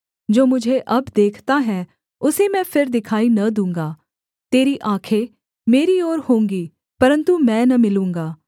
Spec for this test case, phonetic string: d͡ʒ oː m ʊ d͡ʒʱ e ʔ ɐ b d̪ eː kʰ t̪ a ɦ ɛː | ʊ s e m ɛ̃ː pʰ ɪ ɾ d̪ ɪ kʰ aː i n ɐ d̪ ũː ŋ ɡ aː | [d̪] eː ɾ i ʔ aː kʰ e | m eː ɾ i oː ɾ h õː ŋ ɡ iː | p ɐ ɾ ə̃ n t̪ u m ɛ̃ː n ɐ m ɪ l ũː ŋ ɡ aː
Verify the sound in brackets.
incorrect: t̪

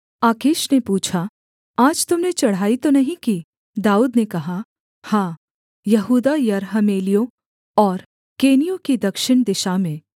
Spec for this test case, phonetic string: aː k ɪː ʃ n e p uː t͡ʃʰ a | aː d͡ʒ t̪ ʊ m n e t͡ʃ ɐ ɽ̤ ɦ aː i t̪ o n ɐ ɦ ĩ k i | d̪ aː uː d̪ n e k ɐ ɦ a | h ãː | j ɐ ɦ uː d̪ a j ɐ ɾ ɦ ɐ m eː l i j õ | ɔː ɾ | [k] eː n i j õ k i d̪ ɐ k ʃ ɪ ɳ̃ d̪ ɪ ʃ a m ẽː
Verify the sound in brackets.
correct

